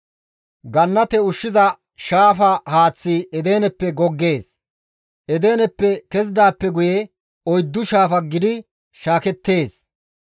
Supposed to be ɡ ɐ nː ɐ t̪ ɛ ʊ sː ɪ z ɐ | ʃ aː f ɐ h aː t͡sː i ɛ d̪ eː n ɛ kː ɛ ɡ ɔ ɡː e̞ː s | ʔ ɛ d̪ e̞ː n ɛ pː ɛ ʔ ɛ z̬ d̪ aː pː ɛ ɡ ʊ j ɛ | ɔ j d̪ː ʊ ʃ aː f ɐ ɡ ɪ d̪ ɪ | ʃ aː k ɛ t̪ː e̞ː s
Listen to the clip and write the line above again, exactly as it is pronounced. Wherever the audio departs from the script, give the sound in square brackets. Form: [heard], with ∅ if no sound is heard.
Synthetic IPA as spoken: ɡ ɐ nː ɐ t̪ ɛ ʊ [ʃː] ɪ z ɐ | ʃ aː f ɐ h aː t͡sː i ɛ d̪ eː n ɛ [pː] ɛ ɡ ɔ ɡː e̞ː s | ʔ ɛ d̪ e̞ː n ɛ pː ɛ [k] ɛ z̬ d̪ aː pː ɛ ɡ ʊ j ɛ | ɔ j d̪ː ʊ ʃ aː f ɐ ɡ ɪ d̪ ɪ | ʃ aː k ɛ t̪ː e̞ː s